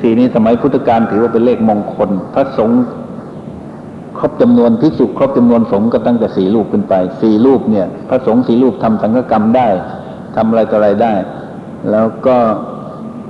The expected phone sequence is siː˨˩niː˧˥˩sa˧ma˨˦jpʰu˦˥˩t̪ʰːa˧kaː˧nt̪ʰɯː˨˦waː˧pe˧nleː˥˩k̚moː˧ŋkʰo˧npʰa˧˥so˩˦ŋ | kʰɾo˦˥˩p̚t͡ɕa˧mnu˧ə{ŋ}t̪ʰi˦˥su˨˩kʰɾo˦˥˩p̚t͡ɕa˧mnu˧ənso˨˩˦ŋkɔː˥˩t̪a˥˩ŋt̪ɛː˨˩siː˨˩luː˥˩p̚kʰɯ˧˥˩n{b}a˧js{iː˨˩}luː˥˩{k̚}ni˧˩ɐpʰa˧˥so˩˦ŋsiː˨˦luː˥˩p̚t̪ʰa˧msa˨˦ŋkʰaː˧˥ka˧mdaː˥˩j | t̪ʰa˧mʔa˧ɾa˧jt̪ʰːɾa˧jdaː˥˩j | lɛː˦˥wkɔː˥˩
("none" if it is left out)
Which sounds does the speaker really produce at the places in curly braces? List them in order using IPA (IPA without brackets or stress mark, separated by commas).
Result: n, p, iː˨˩, p̚